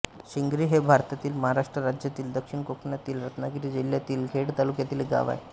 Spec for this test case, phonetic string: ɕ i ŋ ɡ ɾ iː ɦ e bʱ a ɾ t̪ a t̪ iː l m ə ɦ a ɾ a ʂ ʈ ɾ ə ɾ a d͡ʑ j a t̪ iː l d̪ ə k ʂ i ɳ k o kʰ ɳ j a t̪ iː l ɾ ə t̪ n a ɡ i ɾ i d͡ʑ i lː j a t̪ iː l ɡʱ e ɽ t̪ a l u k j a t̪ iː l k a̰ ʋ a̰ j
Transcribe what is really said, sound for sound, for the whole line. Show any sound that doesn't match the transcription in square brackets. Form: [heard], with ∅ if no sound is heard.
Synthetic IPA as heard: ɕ i ŋ ɡ ɾ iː ɦ e bʱ a ɾ t̪ a t̪ iː l m ə ɦ a ɾ a ʂ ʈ ɾ ə ɾ a d͡ʑ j a t̪ iː l d̪ ə k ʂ i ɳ k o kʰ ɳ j a t̪ iː l ɾ ə t̪ n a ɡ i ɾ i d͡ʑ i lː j a t̪ iː l ɡʱ e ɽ t̪ a l u k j a t̪ iː l [ɡ] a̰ ʋ a̰ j

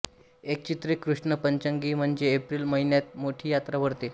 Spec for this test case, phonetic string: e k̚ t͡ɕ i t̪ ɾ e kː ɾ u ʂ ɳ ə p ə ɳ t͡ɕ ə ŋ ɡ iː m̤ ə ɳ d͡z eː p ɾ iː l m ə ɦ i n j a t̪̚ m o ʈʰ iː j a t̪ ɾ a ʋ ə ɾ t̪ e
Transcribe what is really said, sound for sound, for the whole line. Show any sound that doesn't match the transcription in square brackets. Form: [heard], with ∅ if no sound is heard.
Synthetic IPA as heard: e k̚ t͡ɕ i t̪ ɾ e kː ɾ u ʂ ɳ ə p ə [ɲ] t͡ɕ ə ŋ ɡ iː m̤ ə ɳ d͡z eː p ɾ iː l m ə ɦ i n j a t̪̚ m o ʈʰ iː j a t̪ ɾ a ʋ ə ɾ t̪ e

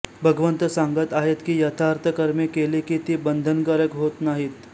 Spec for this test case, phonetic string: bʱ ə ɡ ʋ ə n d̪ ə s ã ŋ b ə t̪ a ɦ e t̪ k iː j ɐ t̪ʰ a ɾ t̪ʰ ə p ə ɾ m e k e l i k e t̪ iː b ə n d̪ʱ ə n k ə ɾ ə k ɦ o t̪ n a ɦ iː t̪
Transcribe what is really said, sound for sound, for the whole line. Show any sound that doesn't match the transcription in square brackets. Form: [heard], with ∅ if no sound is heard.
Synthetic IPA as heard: bʱ ə ɡ ʋ ə n [t̪] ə s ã ŋ [ɡ] ə t̪ a ɦ e t̪ k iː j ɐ t̪ʰ a ɾ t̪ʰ ə [k] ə ɾ m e k e l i k [i] t̪ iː b ə n d̪ʱ ə n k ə ɾ ə k ɦ o t̪ n a ɦ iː t̪

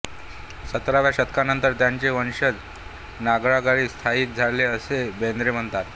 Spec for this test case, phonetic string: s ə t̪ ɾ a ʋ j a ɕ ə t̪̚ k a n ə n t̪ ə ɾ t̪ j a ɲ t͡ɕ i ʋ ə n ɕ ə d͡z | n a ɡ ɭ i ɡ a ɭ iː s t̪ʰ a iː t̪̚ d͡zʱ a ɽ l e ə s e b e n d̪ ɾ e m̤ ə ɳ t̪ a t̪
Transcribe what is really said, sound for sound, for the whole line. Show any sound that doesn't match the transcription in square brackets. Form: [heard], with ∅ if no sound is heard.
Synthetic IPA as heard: s ə t̪ ɾ a ʋ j a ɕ ə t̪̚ k a n ə n t̪ ə ɾ t̪ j a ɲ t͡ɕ [e] ʋ ə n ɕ ə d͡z | n a ɡ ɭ [a] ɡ a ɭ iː s t̪ʰ a iː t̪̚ d͡zʱ a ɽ l e ə s e b e n d̪ ɾ e m̤ ə ɳ t̪ a t̪

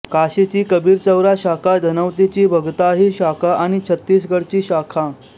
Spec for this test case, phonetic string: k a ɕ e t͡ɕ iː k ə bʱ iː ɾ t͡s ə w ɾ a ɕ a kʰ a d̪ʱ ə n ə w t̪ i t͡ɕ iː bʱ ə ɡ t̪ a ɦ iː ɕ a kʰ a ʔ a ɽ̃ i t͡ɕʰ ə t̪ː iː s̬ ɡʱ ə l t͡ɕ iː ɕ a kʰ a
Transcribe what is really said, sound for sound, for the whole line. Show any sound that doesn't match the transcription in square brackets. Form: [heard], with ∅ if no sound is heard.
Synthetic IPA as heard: k a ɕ e t͡ɕ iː k ə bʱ iː ɾ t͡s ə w ɾ a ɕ a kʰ a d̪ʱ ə n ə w t̪ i t͡ɕ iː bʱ ə ɡ t̪ a ɦ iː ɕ a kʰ a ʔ a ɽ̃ i t͡ɕʰ ə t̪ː iː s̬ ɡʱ ə [ɽ] t͡ɕ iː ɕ a kʰ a

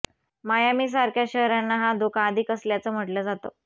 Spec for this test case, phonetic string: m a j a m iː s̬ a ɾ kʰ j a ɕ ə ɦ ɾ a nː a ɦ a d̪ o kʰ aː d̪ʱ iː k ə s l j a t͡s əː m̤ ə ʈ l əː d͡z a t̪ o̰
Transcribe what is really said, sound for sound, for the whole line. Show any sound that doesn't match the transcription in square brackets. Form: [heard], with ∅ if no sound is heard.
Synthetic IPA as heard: m a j a m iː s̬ a ɾ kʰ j a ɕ ə ɦ ɾ a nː a ɦ a d̪ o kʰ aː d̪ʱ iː k ə s l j a t͡s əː m̤ ə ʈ l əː d͡z a t̪ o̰

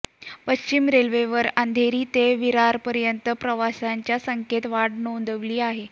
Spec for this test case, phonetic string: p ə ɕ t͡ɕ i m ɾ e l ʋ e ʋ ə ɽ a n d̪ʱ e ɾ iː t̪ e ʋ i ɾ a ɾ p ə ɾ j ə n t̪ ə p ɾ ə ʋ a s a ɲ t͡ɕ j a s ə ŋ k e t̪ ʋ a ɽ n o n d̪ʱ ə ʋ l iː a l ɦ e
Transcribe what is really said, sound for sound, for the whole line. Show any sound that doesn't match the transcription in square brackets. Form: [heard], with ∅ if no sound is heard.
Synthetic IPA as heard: p ə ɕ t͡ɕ i m ɾ e l ʋ e ʋ ə [ɾ] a n d̪ʱ e ɾ iː t̪ e ʋ i ɾ a ɾ p ə ɾ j ə n t̪ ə p ɾ ə ʋ a s a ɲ t͡ɕ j a s ə ŋ k e t̪ ʋ a ɽ n o n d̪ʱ ə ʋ l iː a [∅] ɦ e

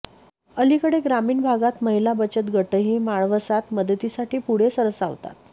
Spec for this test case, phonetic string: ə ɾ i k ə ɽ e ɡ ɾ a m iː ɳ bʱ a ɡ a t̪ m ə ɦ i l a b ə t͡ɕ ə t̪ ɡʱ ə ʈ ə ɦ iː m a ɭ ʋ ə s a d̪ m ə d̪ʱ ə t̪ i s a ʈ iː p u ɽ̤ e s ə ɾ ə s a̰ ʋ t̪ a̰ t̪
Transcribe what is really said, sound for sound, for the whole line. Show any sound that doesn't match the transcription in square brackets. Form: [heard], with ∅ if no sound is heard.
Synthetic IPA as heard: ə [l] i k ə ɽ e ɡ ɾ a m iː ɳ bʱ a ɡ a t̪ m ə ɦ i l a b ə t͡ɕ ə t̪ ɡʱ ə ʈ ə ɦ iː m a ɭ ʋ ə s a [t̪] m ə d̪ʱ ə t̪ i s a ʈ iː p u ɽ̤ e s ə ɾ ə s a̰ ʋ t̪ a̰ t̪

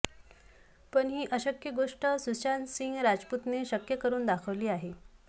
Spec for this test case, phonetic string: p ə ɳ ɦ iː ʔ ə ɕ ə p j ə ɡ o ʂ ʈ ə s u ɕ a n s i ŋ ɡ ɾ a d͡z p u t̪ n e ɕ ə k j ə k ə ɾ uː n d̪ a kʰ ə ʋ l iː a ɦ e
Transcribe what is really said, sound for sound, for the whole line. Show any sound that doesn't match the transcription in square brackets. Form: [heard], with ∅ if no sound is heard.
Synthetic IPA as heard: p ə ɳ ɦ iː ʔ ə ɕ ə [k] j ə ɡ o ʂ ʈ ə s u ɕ a n s i ŋ ɡ ɾ a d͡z p u t̪ n e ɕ ə k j ə k ə ɾ uː n d̪ a kʰ ə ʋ l iː a ɦ e

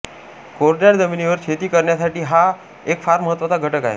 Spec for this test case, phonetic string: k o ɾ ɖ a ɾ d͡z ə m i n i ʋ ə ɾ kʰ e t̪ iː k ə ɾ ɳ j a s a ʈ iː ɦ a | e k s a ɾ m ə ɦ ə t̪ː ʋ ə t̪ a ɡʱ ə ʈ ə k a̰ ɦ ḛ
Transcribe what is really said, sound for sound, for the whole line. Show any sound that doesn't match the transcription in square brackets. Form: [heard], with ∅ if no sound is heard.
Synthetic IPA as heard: k o ɾ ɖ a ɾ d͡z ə m i n i ʋ ə ɾ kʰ e t̪ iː k ə ɾ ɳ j a s a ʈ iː ɦ a | e k [f] a ɾ m ə ɦ ə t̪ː ʋ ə t̪ a ɡʱ ə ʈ ə k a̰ ɦ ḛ

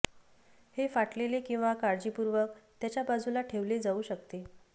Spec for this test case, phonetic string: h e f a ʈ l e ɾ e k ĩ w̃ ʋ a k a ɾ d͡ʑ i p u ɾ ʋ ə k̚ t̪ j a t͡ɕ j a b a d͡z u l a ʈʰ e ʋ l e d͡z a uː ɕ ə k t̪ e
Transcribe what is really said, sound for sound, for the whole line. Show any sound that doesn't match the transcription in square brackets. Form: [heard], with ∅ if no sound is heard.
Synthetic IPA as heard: h e f a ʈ l e [l] e k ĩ w̃ ʋ a k a ɾ d͡ʑ i p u ɾ ʋ ə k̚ t̪ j a t͡ɕ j a b a d͡z u l a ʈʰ e ʋ l e d͡z a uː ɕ ə k t̪ e

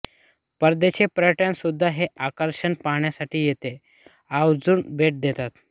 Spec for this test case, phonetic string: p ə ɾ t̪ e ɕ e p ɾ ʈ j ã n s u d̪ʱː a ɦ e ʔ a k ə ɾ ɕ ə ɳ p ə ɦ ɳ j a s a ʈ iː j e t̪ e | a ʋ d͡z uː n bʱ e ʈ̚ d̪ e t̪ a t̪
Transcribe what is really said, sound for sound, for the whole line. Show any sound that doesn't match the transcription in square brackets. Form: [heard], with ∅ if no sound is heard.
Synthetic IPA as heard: p ə ɾ [d̪] e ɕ e p ɾ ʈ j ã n s u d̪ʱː a ɦ e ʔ a k ə ɾ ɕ ə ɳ p [a] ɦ ɳ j a s a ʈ iː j e t̪ e | a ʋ d͡z uː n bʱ e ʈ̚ d̪ e t̪ a t̪

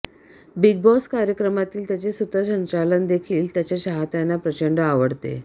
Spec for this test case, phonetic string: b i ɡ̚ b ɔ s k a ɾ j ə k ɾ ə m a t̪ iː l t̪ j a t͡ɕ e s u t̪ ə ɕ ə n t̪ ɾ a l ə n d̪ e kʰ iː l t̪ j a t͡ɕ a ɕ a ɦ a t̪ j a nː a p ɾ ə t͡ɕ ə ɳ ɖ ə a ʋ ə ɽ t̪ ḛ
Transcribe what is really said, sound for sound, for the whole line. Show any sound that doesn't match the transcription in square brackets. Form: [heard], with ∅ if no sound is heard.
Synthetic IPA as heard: b i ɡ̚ b ɔ s k a ɾ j ə k ɾ ə m a t̪ iː l t̪ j a t͡ɕ e s u t̪ ə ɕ ə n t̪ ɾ a l ə n d̪ e kʰ iː l t̪ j a t͡ɕ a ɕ a ɦ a t̪ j a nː a p ɾ ə t͡ɕ ə ɳ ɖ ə a ʋ ə ɽ t̪ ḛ

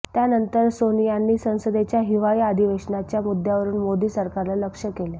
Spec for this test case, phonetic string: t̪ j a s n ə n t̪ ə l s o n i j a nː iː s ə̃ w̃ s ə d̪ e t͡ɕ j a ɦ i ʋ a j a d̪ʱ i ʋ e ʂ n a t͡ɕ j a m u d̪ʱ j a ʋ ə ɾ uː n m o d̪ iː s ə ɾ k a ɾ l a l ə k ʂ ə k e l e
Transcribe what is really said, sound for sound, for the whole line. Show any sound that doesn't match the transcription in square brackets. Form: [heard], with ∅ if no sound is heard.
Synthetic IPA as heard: t̪ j a [∅] n ə n t̪ ə [ɾ] s o n i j a nː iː s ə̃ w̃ s ə d̪ e t͡ɕ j a ɦ i ʋ a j a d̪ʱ i ʋ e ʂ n a t͡ɕ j a m u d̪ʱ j a ʋ ə ɾ uː n m o d̪ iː s ə ɾ k a ɾ l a l ə k ʂ ə k e l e

